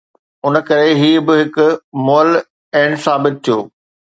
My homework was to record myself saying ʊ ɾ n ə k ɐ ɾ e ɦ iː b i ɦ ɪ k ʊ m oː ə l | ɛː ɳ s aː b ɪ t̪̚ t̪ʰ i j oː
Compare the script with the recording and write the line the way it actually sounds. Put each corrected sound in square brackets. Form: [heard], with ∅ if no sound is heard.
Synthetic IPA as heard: ʊ [∅] n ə k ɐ ɾ e ɦ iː b [ɪ] ɦ ɪ k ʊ m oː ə l | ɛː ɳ s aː b ɪ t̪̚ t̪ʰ i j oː